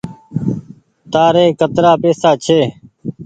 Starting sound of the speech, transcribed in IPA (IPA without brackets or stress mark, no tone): t̪